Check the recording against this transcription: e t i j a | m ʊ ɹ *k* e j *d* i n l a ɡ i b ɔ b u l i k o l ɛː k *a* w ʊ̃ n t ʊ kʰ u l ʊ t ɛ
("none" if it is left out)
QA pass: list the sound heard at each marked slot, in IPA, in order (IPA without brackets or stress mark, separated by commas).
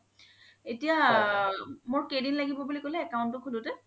k, d, a